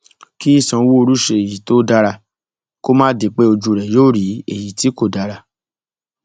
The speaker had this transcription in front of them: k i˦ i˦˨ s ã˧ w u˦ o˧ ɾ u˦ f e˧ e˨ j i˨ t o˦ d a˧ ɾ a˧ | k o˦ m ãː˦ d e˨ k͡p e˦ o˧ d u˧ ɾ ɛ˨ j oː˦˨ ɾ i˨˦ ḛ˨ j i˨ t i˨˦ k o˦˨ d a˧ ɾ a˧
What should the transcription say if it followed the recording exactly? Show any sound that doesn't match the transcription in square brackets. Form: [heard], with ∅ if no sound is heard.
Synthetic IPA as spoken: k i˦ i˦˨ s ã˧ w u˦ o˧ ɾ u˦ [ʃ] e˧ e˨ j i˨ t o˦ d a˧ ɾ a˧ | k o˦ m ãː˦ d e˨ k͡p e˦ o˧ [d͡ʒ] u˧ ɾ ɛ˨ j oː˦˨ ɾ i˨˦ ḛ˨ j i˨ t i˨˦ k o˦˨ d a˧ ɾ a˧

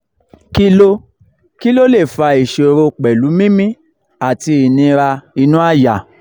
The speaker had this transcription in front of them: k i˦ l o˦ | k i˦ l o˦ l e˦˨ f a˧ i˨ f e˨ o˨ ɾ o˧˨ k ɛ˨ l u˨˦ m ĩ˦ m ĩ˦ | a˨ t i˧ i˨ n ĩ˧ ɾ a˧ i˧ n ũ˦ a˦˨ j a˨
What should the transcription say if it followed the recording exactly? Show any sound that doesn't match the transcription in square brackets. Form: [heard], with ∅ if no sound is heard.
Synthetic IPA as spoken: k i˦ l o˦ | k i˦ l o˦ l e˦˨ f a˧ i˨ [ʃ] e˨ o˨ ɾ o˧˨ [k͡p] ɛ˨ l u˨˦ m ĩ˦ m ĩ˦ | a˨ t i˧ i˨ n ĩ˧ ɾ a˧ i˧ n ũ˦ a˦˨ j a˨

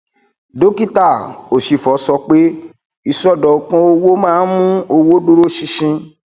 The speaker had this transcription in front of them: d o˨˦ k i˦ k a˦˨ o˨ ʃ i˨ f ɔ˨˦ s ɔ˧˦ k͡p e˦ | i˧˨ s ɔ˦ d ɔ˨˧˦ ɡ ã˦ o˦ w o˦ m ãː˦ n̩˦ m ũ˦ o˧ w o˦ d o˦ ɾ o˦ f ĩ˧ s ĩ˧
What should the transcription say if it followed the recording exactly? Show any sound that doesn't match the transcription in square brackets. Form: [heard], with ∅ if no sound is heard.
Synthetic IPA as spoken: d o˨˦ k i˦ [t] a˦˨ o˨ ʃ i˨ f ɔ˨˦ s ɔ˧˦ k͡p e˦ | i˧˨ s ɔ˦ d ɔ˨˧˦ [k] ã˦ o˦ w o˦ m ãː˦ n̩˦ m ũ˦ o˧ w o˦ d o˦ ɾ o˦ [ʃ] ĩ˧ [ʃ] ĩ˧

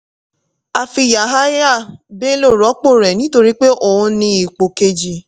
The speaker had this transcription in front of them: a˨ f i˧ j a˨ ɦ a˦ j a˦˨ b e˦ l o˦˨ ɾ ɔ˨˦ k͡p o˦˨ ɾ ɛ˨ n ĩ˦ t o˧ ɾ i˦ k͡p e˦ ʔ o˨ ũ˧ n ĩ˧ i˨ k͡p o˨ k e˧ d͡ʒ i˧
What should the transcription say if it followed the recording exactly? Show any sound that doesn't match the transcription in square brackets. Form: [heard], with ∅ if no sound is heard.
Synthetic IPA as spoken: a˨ f i˧ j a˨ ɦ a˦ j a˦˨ b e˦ l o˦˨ ɾ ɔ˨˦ k͡p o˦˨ ɾ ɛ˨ n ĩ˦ t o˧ ɾ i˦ k͡p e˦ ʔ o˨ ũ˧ n ĩ˧ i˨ k͡p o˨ k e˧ d͡ʒ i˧

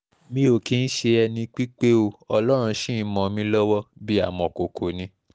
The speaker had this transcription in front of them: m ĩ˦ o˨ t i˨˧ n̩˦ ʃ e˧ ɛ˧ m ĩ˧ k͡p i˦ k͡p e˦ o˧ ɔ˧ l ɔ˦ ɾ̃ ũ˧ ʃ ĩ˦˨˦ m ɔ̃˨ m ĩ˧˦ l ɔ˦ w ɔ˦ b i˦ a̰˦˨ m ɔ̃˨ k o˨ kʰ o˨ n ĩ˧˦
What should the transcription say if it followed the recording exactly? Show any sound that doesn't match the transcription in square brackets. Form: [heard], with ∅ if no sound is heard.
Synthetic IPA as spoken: m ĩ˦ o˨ [k] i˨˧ n̩˦ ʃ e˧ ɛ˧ [n] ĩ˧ k͡p i˦ k͡p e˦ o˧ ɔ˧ l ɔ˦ ɾ̃ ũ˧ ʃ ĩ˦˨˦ m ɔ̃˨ m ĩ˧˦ l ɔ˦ w ɔ˦ b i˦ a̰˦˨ m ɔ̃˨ k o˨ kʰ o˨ n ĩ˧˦

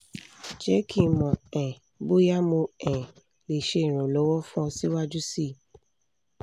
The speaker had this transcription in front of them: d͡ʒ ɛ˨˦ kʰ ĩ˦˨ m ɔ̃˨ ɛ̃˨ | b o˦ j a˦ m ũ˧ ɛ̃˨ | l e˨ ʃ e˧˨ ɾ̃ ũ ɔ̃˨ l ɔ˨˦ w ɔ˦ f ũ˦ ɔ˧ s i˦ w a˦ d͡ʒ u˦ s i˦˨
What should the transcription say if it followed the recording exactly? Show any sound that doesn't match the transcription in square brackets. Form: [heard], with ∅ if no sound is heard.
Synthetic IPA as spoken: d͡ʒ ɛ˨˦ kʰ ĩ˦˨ m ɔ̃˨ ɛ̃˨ | b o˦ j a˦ m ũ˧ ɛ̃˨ | l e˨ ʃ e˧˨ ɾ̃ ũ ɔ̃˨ l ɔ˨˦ w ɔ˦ f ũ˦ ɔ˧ s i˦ w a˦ d͡ʒ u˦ s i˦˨

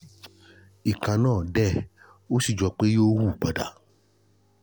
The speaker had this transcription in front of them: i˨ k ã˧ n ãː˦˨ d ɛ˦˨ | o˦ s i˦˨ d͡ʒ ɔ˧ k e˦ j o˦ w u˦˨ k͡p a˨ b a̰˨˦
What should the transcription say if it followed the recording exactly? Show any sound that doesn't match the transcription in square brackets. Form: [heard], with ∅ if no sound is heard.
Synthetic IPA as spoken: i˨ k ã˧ n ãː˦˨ d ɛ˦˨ | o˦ s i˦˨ d͡ʒ ɔ˧ [k͡p] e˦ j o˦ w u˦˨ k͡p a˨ [d] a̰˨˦

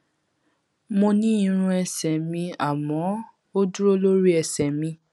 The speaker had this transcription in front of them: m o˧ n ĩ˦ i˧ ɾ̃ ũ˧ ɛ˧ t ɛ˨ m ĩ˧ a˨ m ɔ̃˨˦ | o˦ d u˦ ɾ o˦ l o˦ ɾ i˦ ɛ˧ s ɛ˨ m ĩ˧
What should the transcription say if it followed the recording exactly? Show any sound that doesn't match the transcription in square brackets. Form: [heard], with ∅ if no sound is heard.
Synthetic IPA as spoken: m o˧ n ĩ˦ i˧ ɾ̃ ũ˧ ɛ˧ [s] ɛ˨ m ĩ˧ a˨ m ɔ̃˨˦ | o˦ d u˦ ɾ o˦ l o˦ ɾ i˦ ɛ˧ s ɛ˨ m ĩ˧

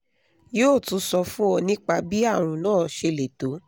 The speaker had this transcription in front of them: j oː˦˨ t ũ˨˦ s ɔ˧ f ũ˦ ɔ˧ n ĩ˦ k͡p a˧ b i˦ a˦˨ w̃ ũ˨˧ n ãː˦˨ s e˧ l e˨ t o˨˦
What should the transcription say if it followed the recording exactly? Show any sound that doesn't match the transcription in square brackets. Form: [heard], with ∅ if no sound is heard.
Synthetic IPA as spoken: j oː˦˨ t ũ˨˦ s ɔ˧ f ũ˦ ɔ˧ n ĩ˦ k͡p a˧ b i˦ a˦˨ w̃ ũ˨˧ n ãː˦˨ [ʃ] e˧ l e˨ t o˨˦

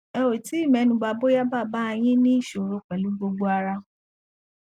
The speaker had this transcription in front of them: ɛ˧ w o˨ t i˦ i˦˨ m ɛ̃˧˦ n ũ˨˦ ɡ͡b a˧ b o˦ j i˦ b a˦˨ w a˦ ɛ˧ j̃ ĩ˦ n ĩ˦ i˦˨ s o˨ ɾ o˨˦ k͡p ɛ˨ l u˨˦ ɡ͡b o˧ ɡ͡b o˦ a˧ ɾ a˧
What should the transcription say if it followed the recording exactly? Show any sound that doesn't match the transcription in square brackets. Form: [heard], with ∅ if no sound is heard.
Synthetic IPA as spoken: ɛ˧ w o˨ t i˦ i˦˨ m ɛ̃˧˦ n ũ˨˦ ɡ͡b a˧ b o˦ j [a˦] b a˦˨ [b] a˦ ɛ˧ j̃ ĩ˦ n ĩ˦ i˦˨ [ʃ] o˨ ɾ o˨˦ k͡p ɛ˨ l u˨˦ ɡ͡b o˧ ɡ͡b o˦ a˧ ɾ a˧

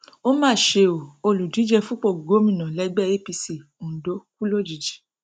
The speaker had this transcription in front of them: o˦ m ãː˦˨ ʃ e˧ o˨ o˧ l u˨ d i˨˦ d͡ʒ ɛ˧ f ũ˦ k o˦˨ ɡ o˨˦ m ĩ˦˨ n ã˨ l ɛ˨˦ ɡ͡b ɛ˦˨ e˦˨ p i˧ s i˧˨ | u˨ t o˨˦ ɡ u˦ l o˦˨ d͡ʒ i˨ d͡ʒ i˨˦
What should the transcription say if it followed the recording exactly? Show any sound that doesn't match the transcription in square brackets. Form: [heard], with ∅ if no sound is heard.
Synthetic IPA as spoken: o˦ m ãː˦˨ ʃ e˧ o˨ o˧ l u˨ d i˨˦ d͡ʒ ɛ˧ f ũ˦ [k͡p] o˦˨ ɡ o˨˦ m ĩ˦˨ n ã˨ l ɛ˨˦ ɡ͡b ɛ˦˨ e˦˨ p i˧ s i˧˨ | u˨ [d] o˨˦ [k] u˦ l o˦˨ d͡ʒ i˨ d͡ʒ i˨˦

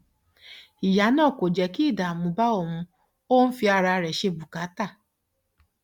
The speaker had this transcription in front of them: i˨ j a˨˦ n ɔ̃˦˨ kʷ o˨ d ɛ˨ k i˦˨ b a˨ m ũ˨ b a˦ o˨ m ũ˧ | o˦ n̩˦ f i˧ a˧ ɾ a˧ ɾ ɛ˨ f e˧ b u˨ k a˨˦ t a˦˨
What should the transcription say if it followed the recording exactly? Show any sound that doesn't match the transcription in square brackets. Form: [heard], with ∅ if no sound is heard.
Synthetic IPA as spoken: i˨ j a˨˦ n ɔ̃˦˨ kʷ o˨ [d͡ʒ] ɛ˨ k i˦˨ [d] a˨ m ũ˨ b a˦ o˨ m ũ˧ | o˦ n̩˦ f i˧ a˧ ɾ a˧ ɾ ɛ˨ [ʃ] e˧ b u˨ k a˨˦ t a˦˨

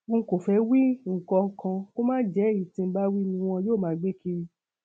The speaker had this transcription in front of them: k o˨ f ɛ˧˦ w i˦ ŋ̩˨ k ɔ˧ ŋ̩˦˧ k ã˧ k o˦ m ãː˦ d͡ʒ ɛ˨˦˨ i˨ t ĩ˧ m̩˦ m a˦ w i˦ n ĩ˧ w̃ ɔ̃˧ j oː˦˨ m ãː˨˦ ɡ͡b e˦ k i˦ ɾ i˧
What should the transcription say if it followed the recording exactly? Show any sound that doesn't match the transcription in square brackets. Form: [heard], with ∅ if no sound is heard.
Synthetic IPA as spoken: k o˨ f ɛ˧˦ w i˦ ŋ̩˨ k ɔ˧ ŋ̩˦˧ k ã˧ k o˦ m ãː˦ d͡ʒ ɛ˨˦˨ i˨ t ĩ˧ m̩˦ [b] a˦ w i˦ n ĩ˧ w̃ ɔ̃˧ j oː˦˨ m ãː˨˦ ɡ͡b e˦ k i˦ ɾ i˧

